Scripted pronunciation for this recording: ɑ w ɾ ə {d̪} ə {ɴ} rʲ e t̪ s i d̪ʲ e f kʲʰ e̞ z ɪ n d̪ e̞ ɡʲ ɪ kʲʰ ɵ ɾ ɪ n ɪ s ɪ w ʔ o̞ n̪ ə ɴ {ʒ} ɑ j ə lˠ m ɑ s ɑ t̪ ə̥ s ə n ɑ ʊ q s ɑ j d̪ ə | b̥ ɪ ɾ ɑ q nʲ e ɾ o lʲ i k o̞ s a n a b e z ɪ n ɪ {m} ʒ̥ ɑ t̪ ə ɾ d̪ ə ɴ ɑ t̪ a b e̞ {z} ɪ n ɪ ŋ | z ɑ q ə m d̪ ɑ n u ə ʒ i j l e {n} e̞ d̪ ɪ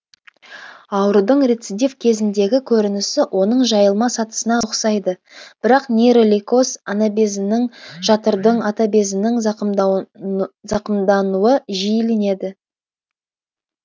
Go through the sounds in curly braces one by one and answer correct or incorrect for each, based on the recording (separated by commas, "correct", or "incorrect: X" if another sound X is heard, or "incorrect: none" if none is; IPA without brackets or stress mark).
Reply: correct, correct, correct, incorrect: ŋ, correct, correct